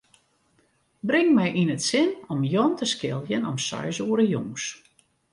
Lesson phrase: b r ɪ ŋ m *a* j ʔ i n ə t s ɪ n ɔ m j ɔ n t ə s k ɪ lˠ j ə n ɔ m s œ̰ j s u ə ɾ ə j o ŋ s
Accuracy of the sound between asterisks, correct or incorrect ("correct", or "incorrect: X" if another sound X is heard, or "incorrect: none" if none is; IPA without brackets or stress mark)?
incorrect: ɛ